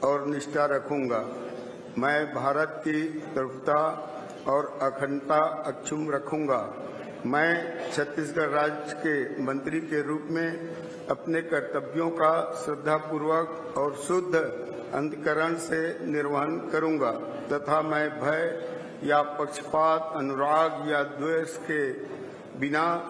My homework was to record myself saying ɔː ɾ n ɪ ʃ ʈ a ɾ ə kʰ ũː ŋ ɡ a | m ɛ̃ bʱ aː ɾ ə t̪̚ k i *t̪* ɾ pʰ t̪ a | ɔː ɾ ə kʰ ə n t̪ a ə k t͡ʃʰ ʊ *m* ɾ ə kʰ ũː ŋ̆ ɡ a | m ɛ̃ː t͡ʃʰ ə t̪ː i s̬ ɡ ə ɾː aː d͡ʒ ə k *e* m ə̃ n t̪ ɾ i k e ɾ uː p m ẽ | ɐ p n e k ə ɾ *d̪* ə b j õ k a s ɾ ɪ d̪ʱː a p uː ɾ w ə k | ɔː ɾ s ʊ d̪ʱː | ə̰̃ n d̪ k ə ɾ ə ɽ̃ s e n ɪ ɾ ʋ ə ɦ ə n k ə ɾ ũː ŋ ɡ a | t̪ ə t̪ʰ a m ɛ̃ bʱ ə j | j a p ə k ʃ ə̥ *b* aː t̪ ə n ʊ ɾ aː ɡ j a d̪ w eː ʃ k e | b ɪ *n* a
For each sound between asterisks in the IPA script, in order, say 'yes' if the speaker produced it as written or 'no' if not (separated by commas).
yes, yes, yes, no, no, yes